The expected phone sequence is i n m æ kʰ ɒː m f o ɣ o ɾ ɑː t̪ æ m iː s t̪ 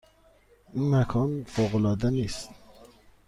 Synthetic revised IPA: i n m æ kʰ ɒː n f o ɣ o l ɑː d̪ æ n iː s t̪